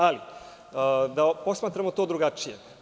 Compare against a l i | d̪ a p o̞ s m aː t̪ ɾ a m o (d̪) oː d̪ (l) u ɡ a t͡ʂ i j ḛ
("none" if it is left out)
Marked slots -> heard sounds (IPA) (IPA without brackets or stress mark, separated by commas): t̪, ɾ